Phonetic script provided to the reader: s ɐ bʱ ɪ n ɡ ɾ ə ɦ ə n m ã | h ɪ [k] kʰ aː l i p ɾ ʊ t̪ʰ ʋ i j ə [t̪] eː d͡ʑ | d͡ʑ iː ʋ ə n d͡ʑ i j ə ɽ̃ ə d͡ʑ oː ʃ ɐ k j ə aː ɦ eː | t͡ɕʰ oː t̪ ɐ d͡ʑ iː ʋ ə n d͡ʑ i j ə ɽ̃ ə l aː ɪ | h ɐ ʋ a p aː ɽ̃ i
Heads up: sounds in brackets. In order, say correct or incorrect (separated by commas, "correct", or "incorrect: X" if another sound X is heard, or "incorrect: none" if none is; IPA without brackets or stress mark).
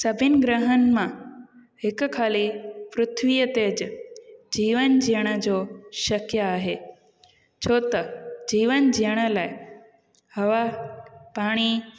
correct, correct